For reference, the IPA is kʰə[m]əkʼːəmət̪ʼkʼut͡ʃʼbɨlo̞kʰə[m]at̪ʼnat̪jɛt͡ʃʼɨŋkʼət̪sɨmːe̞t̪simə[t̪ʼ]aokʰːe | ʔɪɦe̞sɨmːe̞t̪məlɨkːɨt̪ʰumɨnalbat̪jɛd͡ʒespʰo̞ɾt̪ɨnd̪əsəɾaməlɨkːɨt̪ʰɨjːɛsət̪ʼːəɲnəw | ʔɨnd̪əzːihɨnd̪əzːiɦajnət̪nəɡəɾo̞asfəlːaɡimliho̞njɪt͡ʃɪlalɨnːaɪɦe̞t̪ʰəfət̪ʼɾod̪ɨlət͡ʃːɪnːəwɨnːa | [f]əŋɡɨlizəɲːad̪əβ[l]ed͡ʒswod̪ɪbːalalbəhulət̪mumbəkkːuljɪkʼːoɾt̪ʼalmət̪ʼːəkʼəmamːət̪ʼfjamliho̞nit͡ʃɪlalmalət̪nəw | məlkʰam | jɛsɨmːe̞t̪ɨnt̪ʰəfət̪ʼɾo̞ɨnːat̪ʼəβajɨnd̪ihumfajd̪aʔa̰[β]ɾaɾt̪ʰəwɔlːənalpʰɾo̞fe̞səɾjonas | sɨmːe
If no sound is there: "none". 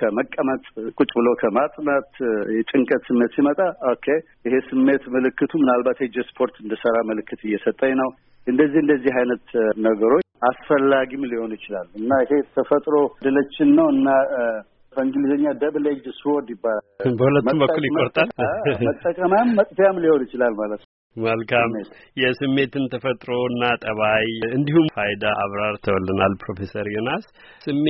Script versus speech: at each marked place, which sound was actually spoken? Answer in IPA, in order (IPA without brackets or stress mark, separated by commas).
m, m, t̪ʼ, f, l, β